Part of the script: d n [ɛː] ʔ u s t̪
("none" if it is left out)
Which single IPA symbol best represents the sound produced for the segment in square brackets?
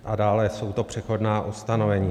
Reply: aː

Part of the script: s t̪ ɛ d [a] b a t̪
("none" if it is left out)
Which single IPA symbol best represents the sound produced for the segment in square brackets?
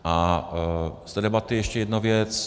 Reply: ɛ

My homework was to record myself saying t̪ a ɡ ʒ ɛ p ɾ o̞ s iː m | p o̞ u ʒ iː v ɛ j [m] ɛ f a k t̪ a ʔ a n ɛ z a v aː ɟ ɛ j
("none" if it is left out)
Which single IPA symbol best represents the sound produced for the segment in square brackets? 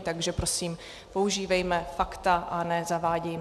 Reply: m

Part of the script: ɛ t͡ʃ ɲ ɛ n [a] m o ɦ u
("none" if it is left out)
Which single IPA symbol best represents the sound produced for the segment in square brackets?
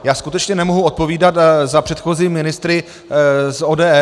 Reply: ɛ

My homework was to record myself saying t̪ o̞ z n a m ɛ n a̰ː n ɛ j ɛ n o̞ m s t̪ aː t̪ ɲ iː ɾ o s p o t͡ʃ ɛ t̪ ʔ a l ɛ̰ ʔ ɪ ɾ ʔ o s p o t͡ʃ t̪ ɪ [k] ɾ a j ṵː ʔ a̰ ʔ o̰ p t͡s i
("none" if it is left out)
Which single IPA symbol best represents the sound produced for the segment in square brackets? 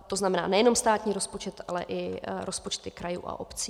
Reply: k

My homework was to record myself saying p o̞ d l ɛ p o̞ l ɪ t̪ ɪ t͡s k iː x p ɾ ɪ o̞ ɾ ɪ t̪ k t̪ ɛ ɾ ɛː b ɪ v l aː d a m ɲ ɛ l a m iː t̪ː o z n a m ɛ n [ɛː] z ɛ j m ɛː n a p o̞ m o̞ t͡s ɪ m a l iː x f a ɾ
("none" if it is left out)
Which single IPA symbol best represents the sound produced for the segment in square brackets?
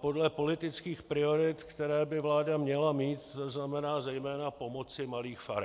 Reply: aː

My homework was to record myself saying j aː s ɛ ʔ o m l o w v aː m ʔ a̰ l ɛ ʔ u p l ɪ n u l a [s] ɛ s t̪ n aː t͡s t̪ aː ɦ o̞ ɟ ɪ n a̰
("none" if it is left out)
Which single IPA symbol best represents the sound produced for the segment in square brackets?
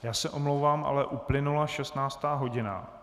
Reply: ʃ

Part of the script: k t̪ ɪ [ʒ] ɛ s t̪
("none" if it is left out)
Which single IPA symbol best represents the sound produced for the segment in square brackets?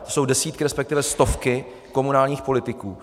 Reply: v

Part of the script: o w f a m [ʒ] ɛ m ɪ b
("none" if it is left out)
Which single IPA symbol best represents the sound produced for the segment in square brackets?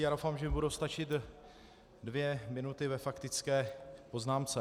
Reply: ʒ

